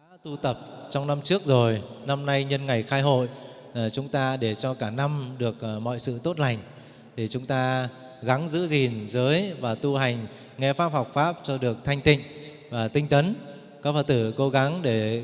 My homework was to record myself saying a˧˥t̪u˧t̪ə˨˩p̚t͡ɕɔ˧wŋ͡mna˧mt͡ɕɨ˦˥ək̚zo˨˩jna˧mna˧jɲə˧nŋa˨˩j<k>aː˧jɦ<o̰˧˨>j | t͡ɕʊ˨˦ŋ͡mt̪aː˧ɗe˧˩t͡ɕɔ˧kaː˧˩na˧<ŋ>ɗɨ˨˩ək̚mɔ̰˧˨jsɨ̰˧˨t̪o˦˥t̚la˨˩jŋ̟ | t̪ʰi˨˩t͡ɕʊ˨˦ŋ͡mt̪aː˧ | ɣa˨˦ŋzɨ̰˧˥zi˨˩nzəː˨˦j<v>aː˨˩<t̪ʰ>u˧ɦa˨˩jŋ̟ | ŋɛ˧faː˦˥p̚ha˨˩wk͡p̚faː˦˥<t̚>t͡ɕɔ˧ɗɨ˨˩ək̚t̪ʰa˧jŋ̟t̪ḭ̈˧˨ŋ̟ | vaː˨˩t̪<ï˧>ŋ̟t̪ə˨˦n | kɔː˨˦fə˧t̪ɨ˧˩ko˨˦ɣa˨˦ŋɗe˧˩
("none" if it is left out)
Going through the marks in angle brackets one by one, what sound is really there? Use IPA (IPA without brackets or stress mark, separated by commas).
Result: x, o̰˧˨, m, v, t̪, p̚, ï˧